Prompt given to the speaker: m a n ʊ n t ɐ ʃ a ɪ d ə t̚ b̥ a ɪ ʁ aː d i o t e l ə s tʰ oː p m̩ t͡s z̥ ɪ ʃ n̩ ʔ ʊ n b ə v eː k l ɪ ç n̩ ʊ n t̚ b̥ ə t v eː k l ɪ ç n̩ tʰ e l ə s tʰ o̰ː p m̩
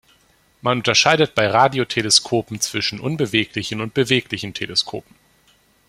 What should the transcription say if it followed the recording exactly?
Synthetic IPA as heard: m a n ʊ n t ɐ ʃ a ɪ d ə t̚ b̥ a ɪ ʁ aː d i o tʰ e l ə s kʰ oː p m̩ t͡s v̥ ɪ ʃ n̩ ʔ ʊ n b ə v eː k l ɪ ç n̩ ʊ n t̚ b̥ ə v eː k l ɪ ç n̩ tʰ e l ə s kʰ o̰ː p m̩